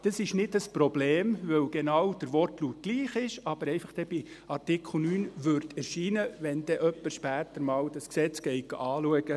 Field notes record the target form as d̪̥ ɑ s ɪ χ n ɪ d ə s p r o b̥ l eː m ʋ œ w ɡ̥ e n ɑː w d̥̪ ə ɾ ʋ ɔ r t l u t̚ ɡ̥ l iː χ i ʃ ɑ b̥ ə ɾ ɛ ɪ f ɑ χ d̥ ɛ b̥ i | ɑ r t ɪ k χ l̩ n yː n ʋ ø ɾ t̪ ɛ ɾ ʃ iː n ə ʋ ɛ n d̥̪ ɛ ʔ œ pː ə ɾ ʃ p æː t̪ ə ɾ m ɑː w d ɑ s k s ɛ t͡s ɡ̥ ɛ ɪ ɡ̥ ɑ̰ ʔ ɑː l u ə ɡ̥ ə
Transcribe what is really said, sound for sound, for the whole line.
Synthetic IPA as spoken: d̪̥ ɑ s ɪ ʃ n ɪ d ə s p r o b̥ l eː m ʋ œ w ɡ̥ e n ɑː w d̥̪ ə ɾ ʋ ɔ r t l u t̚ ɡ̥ l iː χ ɪ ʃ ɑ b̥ ə ɾ ɛ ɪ f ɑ χ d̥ ɛ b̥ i | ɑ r t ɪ k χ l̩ n yː n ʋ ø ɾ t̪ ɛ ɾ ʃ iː n ə ʋ ɛ n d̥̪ ɛ ʔ œ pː ə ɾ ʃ p æː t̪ ə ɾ m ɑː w d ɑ s k s ɛ t͡s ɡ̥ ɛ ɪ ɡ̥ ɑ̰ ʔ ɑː l u ə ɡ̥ ə

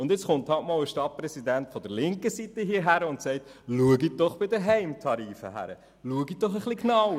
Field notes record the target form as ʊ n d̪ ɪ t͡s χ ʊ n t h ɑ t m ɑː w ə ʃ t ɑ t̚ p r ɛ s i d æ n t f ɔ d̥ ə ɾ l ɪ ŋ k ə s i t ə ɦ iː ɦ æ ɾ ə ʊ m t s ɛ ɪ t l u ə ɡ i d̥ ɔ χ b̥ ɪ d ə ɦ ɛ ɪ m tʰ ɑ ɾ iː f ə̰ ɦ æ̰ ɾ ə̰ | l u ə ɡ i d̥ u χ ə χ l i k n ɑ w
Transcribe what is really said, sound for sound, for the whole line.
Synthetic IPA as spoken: ʊ n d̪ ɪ t͡s χ ʊ n t h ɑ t m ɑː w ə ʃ t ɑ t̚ p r ɛ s i d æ n t f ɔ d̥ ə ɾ l ɪ ŋ k ə s i t ə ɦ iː ɦ æ ɾ ə ʊ n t s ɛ ɪ t l u ə ɡ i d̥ ɔ χ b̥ ɪ d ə ɦ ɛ ɪ m tʰ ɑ ɾ iː f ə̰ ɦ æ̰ ɾ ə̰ | l u ə ɡ i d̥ ɔ χ ə χ l i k n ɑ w

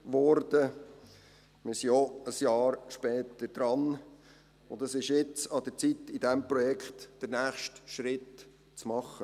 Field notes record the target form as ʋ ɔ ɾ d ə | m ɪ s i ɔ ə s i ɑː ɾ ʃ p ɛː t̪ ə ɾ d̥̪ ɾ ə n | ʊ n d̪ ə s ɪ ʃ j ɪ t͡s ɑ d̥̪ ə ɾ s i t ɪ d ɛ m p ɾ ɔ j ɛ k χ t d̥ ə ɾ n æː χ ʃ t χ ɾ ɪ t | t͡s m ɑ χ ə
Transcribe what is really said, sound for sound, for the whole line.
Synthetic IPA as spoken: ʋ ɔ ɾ d ə | m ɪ s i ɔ ə s j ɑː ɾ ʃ p ɛː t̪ ə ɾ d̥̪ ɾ ɑ n | ʊ n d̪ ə s ɪ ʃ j ɪ t͡s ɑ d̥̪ ə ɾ t͡s i t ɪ d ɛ m p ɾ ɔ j ɛ k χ t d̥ ə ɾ n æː χ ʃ t ʃ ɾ ɪ t | t͡s m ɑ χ ə

